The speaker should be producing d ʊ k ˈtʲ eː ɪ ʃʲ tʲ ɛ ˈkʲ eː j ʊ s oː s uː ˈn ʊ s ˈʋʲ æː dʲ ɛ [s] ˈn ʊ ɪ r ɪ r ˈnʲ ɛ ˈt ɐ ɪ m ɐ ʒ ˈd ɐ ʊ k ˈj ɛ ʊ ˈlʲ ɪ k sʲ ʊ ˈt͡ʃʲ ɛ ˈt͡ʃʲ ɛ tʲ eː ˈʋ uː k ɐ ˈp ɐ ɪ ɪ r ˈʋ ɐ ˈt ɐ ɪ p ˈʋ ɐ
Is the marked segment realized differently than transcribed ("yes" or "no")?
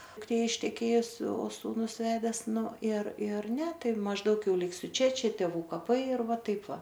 no